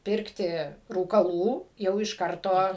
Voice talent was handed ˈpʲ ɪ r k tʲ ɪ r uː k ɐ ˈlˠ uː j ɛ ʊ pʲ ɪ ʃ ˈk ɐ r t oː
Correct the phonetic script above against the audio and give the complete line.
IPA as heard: ˈpʲ ɪ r k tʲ ɪ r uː k ɐ ˈlˠ uː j ɛ ʊ ɪ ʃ ˈk ɐ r t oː